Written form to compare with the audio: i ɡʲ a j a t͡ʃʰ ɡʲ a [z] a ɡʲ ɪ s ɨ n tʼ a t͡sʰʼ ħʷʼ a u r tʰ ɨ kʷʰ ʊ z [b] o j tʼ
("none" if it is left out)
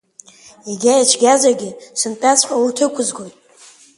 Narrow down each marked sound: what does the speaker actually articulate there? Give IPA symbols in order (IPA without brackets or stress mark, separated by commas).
z, ɡ